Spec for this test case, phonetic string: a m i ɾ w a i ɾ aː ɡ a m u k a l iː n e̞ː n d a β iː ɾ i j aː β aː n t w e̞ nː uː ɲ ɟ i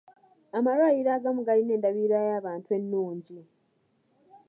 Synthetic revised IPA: a m a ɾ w a i ɾ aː ɡ a m u ɡ a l i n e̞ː n d a β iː ɾ a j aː β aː n t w e̞ nː uː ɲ ɟ i